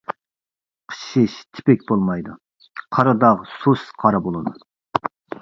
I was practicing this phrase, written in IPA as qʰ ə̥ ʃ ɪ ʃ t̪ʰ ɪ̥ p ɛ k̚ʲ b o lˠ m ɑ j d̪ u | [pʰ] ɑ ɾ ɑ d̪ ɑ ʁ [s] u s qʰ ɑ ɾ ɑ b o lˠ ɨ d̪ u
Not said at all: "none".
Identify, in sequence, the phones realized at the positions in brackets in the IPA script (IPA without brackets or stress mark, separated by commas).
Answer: qʰ, s